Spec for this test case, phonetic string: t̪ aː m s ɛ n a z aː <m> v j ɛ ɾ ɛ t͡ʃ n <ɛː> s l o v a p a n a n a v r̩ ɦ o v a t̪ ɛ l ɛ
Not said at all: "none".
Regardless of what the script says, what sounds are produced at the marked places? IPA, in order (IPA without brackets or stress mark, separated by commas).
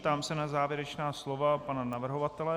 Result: none, aː